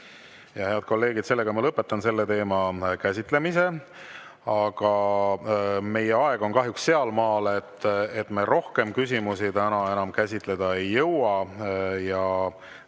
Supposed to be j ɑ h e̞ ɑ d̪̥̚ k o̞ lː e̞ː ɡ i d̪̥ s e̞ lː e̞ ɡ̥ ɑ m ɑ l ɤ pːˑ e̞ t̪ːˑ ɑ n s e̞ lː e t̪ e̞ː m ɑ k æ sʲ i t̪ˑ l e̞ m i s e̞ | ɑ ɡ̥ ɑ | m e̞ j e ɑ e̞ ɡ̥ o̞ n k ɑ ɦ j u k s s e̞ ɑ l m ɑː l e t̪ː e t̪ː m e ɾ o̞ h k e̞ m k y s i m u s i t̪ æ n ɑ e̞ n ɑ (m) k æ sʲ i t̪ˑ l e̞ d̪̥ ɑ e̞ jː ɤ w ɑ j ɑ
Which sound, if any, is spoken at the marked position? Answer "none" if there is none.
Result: m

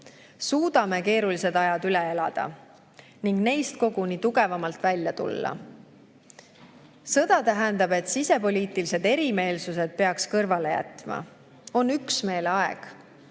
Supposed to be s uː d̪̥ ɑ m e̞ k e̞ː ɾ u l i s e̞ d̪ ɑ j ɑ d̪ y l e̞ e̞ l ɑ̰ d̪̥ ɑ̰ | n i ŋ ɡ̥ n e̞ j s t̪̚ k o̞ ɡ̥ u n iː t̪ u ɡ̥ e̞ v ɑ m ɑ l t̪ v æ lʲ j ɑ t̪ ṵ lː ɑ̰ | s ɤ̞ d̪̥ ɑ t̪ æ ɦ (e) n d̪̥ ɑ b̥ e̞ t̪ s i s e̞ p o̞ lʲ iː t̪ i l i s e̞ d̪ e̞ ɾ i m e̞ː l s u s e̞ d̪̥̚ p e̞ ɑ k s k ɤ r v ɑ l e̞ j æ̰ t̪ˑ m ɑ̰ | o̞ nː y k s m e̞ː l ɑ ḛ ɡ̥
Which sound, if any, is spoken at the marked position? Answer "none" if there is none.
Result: æ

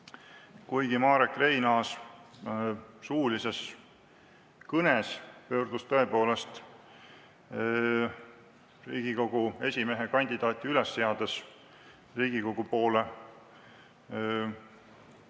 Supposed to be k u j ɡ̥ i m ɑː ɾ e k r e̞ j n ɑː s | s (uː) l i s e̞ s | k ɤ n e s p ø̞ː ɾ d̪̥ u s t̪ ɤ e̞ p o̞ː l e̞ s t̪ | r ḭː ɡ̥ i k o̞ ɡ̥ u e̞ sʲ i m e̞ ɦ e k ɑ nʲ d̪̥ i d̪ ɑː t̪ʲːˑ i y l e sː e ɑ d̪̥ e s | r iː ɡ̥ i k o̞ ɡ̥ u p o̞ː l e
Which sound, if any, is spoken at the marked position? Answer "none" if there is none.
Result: uː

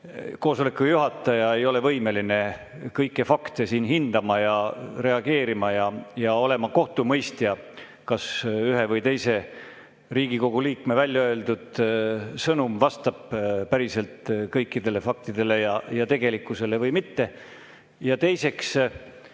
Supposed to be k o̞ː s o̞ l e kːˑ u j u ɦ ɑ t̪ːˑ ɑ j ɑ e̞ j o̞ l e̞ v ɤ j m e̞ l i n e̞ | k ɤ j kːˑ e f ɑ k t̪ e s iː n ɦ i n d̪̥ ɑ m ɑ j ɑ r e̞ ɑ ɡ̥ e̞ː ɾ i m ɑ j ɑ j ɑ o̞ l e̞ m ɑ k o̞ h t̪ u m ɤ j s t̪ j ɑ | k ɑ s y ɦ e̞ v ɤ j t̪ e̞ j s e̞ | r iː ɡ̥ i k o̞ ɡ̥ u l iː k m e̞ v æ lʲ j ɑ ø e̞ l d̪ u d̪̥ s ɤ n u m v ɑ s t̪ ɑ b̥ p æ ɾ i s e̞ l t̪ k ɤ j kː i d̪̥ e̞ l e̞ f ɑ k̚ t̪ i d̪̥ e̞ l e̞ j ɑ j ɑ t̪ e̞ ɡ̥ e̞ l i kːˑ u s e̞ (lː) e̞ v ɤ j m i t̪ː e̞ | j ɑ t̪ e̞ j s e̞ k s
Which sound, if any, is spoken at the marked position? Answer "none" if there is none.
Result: l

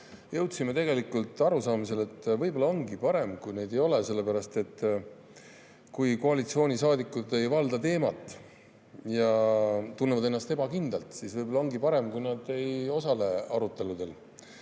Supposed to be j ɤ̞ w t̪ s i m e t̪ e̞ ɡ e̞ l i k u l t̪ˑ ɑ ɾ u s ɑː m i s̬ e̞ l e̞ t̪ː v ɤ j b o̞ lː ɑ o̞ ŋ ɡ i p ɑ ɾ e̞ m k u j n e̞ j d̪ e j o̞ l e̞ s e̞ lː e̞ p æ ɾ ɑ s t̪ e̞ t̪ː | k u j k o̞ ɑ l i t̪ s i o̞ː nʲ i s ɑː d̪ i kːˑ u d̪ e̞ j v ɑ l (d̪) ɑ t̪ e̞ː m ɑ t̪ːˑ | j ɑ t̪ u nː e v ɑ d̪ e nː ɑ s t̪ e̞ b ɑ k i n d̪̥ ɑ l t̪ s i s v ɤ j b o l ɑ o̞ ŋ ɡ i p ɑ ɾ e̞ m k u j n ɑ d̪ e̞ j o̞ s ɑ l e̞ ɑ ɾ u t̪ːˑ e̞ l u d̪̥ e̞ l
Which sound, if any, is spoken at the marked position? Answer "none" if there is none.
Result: d̪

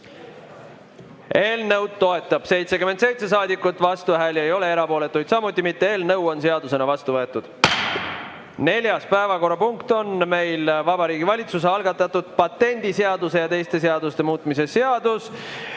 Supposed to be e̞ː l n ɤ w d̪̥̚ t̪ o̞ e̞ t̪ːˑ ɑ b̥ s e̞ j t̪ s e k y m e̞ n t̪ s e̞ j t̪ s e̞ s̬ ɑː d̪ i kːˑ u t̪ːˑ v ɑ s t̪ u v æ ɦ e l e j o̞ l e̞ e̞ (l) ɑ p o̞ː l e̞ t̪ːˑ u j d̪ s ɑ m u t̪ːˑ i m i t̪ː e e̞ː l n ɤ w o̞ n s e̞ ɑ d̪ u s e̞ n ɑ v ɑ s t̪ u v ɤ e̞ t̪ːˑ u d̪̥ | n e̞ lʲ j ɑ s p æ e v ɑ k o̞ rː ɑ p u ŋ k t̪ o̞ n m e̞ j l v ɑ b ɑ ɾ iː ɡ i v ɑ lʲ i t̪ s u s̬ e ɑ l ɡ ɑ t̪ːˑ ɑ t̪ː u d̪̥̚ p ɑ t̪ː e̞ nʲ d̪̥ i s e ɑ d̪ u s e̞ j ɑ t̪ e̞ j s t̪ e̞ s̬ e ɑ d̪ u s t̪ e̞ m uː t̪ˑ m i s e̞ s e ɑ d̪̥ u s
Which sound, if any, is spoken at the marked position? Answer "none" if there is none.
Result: ɾ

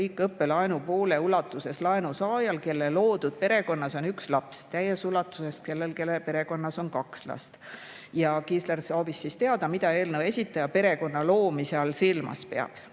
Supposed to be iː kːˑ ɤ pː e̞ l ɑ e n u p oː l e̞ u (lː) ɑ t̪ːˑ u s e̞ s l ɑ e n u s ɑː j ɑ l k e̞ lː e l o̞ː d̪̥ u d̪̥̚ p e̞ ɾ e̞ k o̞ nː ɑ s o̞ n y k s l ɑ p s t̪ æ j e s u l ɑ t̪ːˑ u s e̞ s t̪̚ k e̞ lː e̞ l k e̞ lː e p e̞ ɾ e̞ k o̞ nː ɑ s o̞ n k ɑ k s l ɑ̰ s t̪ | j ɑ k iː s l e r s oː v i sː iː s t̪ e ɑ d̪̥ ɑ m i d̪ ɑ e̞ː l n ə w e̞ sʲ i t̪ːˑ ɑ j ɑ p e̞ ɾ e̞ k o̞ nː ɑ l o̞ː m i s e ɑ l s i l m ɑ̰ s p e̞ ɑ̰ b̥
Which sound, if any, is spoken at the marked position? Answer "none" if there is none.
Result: l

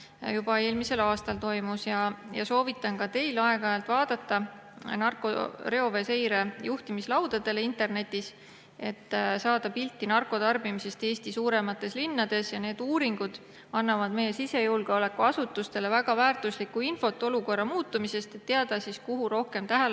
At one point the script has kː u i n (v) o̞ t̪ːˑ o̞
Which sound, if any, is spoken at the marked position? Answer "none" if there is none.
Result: f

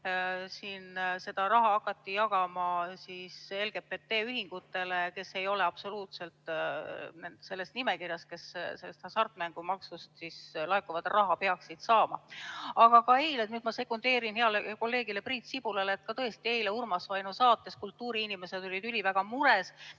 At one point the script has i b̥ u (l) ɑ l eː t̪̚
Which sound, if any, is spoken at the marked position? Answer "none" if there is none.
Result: l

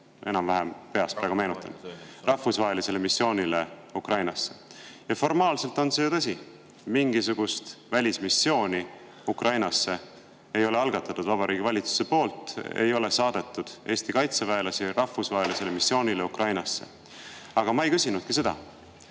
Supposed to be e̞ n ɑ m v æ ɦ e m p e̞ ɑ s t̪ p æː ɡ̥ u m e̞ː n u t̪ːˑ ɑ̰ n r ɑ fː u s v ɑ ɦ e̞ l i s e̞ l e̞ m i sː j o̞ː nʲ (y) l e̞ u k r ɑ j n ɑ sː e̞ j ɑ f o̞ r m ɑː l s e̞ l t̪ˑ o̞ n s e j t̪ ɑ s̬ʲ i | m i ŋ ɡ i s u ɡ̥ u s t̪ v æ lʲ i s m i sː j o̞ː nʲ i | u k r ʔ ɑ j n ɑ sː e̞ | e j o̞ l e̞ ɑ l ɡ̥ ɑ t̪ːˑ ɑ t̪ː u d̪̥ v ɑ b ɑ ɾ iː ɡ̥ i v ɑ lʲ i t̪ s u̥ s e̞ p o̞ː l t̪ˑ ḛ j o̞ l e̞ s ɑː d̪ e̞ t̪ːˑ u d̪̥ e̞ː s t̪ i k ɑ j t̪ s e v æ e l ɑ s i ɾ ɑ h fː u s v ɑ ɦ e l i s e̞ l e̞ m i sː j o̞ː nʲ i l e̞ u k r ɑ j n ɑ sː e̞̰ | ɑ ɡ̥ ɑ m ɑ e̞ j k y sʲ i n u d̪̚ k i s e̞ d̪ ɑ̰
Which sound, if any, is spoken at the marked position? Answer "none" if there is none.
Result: i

